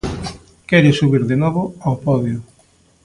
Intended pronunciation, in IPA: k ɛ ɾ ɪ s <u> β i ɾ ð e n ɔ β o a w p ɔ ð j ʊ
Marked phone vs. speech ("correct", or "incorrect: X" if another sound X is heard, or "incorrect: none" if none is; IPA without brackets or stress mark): correct